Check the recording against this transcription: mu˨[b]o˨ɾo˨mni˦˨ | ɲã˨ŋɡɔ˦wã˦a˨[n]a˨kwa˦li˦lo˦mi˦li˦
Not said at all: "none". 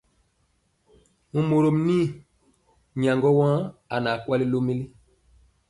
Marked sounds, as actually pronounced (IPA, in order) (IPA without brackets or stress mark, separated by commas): m, n